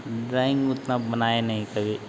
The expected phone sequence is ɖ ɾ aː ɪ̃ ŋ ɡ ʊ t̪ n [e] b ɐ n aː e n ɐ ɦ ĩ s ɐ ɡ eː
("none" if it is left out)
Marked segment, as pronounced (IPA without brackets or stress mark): a